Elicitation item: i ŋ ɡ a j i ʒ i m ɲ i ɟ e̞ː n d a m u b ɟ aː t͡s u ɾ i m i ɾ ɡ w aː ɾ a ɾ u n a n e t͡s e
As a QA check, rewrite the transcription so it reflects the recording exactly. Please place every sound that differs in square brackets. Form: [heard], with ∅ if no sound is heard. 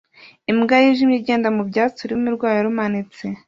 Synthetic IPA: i [m] ɡ a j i ʒ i m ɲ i ɟ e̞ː n d a m u b ɟ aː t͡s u ɾ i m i ɾ ɡ w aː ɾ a ɾ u [m] a n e t͡s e